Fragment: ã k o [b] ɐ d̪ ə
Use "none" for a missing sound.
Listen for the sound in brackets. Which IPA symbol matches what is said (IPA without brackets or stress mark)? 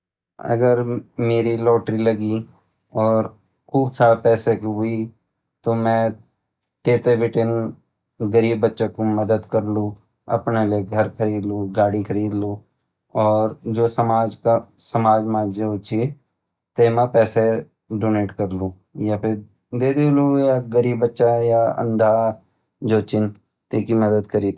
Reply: m